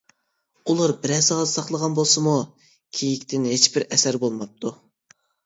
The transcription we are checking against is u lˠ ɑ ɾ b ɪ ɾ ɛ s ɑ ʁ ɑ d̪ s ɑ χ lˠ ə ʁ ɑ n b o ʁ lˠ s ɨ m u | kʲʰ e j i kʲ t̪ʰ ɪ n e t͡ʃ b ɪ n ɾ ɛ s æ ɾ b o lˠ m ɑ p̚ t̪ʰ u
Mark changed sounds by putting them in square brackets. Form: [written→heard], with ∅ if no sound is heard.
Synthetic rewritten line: u lˠ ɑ ɾ b ɪ ɾ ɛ s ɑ ʁ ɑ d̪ s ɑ χ lˠ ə ʁ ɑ n b o [ʁ→∅] lˠ s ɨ m u | kʲʰ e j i kʲ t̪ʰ ɪ n e t͡ʃ b ɪ [n→∅] ɾ ɛ s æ ɾ b o lˠ m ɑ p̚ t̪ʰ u